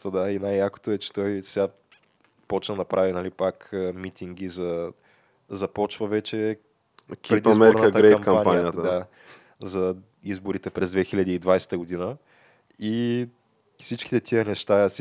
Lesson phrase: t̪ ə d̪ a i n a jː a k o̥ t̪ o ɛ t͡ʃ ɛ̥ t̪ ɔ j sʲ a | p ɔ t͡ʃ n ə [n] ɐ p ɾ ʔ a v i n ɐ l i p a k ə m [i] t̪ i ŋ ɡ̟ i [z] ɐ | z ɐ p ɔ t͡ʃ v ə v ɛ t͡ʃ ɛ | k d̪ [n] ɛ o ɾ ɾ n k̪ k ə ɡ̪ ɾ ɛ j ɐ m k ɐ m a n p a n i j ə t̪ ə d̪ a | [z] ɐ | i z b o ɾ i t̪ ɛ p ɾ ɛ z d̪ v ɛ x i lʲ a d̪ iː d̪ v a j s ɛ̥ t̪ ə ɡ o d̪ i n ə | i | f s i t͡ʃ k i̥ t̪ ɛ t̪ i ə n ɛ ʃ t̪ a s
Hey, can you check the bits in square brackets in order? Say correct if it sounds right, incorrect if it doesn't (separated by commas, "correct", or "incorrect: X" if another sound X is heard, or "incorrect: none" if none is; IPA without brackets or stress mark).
correct, correct, correct, incorrect: m, correct